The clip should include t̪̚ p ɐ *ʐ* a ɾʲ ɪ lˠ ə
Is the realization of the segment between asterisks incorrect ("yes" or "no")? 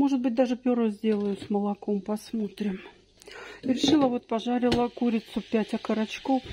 no